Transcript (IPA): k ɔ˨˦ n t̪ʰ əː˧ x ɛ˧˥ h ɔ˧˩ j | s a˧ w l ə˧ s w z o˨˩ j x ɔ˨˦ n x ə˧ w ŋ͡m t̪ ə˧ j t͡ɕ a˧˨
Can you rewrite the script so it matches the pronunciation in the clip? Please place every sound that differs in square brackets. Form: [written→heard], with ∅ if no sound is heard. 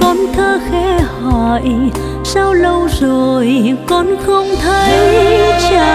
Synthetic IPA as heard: k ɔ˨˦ n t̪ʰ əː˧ x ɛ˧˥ h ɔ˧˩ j | s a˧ w l ə˧ [s→∅] w z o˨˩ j [x→k] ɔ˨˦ n x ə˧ w ŋ͡m [t̪→t̪ʰ] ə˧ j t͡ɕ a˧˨